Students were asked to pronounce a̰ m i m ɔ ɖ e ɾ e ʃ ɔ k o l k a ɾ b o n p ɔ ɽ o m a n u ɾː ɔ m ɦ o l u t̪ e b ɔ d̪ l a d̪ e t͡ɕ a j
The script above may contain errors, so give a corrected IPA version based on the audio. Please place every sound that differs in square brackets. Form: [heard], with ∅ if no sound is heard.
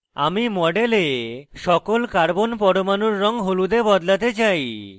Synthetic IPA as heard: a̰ m i m ɔ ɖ e [l] e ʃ ɔ k o l k a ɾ b o n p ɔ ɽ o m a n u ɾː ɔ [ŋ] ɦ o l u [d̪] e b ɔ d̪ l a [t̪] e t͡ɕ a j

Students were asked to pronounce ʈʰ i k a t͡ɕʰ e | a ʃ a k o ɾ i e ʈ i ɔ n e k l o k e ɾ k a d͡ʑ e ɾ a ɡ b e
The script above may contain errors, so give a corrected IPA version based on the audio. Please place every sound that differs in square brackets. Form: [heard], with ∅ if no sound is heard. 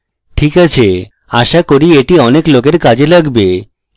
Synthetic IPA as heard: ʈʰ i k a t͡ɕʰ e | a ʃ a k o ɾ i e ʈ i ɔ n e k l o k e ɾ k a d͡ʑ e [l] a ɡ b e

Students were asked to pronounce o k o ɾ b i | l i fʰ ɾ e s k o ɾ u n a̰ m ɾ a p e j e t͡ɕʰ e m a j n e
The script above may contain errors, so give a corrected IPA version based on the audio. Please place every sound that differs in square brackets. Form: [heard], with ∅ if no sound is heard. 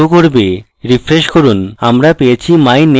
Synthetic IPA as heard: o k o ɾ b [e] | [ɾ] i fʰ ɾ e [ʃ] k o ɾ u n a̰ m ɾ a p e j e t͡ɕʰ [i] m a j n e

